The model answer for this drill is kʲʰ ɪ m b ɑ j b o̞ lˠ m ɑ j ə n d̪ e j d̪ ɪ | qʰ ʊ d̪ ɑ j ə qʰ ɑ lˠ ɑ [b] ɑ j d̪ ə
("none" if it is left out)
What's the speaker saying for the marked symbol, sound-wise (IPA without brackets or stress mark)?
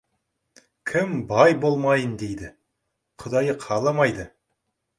m